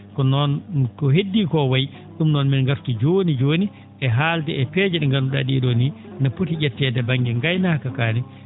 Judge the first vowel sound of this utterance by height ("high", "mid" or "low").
mid